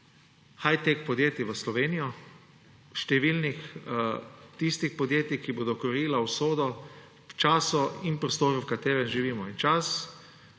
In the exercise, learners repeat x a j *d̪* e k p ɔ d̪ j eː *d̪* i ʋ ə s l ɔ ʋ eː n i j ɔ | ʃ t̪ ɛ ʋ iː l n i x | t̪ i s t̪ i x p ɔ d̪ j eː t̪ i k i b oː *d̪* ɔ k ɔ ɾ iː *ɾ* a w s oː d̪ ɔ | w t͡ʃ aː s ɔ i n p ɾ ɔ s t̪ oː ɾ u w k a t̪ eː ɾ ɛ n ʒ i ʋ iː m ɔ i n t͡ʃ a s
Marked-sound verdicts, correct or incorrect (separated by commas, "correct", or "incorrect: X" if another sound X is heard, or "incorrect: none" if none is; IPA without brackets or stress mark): incorrect: t̪, incorrect: t̪, correct, incorrect: l